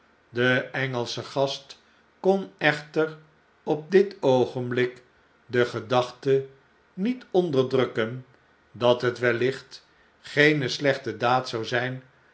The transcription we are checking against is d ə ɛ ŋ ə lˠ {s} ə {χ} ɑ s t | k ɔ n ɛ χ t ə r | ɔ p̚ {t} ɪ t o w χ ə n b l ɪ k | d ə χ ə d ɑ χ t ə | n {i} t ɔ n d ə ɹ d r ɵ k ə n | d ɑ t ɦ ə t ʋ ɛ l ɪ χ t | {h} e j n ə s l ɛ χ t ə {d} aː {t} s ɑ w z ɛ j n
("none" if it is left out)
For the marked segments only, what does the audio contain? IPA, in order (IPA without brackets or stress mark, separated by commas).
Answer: s, χ, d, i, χ, d, t